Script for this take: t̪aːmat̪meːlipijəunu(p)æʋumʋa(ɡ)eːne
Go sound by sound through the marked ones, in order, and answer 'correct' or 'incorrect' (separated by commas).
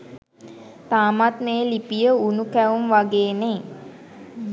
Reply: incorrect, correct